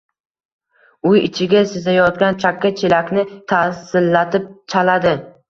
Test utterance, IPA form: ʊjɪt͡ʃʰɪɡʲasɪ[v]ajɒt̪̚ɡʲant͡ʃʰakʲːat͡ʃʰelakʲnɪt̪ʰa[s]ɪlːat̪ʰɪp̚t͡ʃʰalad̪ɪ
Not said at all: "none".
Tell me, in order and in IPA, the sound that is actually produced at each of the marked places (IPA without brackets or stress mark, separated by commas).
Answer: z, s